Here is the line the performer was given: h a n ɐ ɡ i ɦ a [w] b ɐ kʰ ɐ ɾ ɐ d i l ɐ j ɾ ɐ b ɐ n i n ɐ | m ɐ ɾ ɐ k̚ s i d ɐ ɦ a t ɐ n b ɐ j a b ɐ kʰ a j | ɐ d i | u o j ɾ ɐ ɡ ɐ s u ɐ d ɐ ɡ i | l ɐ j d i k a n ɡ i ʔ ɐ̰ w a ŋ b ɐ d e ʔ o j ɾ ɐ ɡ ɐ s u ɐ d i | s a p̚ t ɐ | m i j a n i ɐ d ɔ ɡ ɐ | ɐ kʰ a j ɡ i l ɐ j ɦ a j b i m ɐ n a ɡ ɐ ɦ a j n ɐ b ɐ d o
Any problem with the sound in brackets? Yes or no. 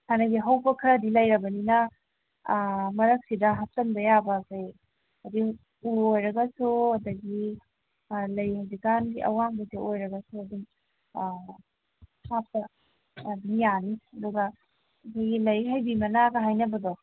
no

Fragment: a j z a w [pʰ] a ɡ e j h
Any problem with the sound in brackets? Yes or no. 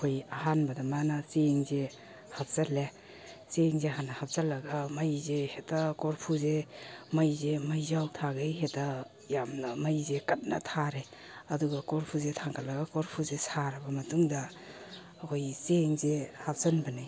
yes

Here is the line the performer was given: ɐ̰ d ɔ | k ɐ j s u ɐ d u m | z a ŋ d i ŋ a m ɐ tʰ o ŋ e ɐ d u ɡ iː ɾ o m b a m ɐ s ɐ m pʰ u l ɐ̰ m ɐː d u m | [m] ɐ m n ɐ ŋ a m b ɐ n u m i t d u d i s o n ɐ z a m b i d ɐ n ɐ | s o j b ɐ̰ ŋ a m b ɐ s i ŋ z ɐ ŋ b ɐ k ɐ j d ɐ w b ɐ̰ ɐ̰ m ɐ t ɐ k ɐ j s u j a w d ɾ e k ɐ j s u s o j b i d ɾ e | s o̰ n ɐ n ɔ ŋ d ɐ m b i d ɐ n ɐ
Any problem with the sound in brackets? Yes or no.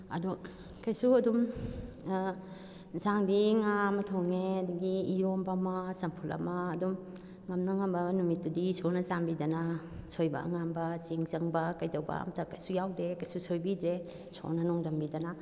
yes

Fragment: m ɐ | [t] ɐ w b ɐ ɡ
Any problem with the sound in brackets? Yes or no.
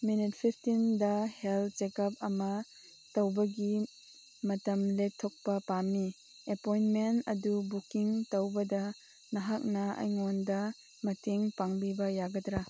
no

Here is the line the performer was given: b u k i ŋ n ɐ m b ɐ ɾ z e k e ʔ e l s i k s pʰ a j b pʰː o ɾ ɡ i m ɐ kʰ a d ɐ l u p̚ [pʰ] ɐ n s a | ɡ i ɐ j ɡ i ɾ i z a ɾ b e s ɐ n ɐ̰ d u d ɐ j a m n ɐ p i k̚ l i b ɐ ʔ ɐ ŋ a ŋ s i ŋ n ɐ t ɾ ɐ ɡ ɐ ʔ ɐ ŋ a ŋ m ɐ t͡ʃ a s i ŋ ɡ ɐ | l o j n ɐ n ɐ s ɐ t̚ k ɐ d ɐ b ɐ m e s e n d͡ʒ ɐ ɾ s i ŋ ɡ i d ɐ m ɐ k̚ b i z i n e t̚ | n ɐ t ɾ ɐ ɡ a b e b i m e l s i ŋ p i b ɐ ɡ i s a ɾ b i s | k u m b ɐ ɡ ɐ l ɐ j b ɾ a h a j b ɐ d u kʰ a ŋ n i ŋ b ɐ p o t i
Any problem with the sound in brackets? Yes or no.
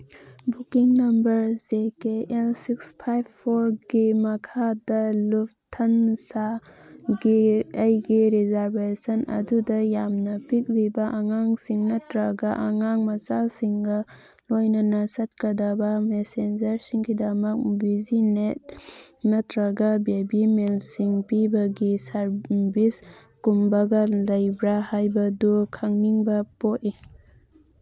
yes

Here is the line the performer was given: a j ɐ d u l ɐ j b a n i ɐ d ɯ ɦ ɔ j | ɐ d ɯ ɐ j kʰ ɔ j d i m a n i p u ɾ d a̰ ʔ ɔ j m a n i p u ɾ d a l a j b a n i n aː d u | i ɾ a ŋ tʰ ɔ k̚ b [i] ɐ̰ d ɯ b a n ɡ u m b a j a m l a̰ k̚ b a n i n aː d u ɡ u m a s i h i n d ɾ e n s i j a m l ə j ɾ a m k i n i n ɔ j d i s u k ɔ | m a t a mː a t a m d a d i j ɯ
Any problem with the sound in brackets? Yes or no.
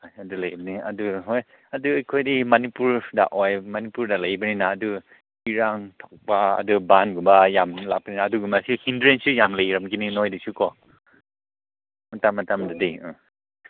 yes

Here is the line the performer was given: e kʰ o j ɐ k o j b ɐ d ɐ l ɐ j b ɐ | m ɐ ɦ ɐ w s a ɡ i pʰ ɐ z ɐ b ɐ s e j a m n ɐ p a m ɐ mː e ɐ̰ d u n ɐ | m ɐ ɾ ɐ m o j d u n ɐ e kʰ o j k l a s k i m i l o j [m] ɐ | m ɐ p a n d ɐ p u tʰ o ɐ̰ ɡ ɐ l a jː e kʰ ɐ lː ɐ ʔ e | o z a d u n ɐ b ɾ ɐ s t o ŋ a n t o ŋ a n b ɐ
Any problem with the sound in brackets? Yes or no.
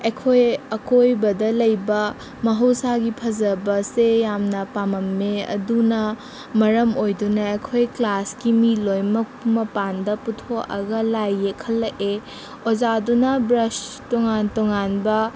no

